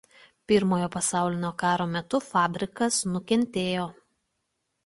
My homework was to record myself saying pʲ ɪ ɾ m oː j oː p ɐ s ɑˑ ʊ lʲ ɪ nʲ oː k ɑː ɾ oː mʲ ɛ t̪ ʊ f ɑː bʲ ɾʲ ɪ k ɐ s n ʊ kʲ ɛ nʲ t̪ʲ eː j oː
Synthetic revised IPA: pʲ ɪ ɾ m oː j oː p ɐ s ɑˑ ʊ lʲ ɪ nʲ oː k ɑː ɾ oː mʲ ɛ t̪ ʊ f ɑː bʲ ɾʲ ɪ k ɐ s n ʊ kʲ ɛ nʲ t̪ʲ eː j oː